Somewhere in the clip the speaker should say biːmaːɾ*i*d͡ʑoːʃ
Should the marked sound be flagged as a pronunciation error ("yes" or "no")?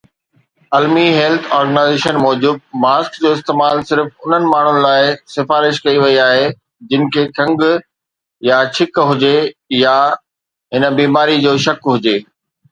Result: no